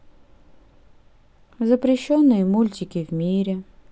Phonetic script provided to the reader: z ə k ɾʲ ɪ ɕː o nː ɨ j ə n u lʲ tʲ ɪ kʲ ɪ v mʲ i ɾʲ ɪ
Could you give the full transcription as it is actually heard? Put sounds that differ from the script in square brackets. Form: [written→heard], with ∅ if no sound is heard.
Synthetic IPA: z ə [k→p] ɾʲ ɪ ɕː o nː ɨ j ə [n→m] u lʲ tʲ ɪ kʲ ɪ v mʲ i ɾʲ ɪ